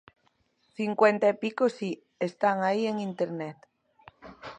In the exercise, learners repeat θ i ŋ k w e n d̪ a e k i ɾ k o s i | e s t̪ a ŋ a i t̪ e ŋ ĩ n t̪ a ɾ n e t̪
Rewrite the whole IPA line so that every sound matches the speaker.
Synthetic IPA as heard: θ i ŋ k w e n t̪ a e p i k o s i | e s t̪ a ŋ a i e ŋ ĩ n t̪ e ɾ n e t̪